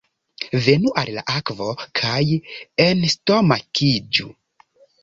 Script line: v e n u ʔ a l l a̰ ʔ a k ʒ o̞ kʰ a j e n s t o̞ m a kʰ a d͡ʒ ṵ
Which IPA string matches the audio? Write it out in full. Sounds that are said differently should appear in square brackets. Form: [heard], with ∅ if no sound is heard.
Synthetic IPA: v e n u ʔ a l l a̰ ʔ a k [v] o̞ kʰ a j e n s t o̞ m a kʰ [i] d͡ʒ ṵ